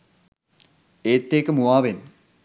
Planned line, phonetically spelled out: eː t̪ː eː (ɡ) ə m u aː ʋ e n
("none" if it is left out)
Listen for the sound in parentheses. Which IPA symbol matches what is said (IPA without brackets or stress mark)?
k